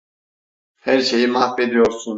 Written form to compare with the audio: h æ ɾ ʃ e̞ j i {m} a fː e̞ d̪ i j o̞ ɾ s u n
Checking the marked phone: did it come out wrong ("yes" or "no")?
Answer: no